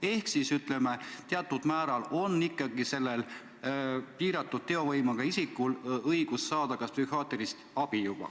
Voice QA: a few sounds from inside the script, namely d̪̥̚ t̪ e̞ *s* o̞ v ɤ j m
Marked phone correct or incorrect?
incorrect: none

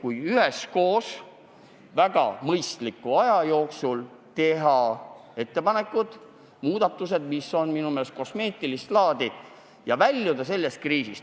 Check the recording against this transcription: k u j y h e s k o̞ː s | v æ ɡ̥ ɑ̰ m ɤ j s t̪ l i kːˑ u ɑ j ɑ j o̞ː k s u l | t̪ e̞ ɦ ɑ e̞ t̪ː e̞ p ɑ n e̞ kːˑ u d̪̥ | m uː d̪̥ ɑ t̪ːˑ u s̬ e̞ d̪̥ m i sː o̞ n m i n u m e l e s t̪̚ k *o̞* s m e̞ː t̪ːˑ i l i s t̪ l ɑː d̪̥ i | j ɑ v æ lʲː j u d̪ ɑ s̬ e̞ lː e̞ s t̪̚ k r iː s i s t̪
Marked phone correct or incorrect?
correct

